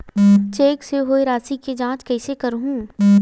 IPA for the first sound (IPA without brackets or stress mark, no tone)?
t͡ʃ